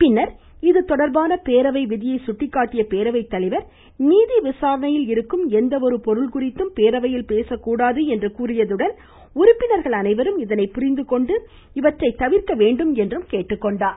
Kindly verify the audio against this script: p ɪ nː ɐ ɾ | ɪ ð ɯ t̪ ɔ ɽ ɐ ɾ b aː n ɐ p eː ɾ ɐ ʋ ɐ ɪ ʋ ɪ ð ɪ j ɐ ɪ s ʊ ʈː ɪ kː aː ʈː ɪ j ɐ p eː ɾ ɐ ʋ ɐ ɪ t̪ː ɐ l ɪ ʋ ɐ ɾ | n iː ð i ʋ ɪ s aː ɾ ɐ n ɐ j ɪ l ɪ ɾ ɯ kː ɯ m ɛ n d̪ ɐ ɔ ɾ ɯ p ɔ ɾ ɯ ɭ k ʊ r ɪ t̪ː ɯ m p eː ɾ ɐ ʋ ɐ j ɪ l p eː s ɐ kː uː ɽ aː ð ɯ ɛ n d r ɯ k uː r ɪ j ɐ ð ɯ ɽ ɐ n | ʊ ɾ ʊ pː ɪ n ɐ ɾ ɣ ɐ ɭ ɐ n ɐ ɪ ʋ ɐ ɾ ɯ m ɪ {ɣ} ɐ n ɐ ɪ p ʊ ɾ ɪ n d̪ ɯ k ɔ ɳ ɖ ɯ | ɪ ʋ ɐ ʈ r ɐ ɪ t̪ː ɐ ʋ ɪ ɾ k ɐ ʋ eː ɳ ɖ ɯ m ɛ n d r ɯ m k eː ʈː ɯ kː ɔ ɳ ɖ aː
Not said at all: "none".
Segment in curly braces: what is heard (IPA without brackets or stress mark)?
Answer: ð